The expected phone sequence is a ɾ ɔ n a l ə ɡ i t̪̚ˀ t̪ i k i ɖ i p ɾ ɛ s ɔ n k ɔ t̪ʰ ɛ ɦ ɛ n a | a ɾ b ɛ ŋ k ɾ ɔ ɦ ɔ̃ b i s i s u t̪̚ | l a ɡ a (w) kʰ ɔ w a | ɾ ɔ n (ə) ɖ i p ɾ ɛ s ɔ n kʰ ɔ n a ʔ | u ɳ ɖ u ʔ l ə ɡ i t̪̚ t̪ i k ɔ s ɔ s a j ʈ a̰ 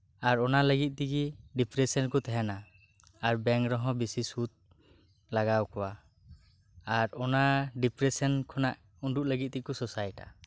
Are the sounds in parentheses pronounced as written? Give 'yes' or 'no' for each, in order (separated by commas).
yes, no